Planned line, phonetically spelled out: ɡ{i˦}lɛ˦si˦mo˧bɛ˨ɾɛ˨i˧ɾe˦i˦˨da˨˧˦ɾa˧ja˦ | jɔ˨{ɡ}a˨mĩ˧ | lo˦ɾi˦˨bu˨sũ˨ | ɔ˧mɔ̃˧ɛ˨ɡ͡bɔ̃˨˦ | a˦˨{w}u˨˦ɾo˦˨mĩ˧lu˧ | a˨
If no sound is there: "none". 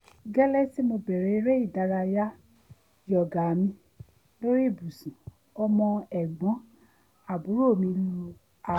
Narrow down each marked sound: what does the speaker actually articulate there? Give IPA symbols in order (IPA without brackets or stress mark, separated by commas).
ɛ˦, ɡ, b